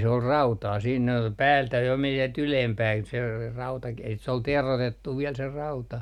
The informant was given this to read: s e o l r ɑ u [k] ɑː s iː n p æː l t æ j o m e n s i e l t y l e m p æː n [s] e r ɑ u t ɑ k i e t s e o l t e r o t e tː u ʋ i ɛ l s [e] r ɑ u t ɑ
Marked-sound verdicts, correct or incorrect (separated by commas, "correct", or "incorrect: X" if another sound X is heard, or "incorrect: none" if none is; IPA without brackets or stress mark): incorrect: t, correct, correct